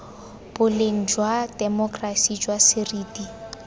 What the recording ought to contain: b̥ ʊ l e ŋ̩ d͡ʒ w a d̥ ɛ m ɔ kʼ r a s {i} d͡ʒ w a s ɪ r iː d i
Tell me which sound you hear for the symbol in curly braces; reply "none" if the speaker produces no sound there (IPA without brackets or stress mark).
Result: i